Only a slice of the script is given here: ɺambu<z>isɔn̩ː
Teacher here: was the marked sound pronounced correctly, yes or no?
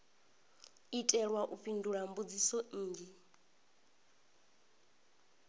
no